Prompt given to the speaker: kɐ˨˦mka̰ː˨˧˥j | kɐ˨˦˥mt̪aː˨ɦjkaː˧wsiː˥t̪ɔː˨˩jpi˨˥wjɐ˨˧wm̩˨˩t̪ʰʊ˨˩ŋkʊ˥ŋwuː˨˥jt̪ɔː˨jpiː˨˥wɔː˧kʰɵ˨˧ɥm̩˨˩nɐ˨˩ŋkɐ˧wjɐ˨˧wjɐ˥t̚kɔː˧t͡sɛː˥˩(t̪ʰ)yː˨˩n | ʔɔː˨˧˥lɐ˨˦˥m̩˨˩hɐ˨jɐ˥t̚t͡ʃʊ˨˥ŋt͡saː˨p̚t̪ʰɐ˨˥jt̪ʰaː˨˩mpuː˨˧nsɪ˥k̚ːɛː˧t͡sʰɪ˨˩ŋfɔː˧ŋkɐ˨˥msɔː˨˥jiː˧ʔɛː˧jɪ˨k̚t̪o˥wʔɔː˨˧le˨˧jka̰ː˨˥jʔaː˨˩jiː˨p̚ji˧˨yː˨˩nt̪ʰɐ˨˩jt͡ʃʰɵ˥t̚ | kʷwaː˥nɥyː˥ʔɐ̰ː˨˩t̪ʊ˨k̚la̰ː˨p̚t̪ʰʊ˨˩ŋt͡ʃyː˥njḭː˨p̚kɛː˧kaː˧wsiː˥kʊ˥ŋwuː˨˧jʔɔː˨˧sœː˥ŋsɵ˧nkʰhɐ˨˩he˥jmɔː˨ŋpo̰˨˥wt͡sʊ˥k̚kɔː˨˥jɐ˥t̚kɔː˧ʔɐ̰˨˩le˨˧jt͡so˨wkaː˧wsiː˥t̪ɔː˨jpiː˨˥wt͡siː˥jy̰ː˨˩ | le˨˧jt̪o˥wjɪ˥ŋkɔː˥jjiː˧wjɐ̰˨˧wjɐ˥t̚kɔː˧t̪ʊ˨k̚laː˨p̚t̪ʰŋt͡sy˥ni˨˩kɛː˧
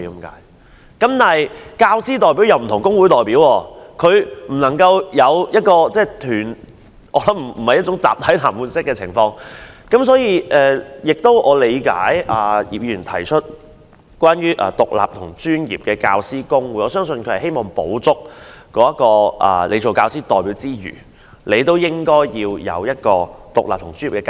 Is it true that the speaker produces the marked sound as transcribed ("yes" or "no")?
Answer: yes